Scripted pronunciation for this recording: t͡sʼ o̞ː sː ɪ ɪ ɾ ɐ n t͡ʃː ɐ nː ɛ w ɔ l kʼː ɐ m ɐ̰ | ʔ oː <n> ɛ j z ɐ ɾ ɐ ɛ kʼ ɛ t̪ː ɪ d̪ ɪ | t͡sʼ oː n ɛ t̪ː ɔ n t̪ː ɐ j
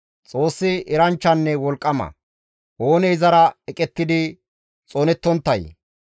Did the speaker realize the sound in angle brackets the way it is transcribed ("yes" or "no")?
yes